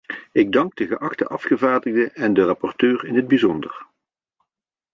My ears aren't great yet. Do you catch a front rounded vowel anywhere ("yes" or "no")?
yes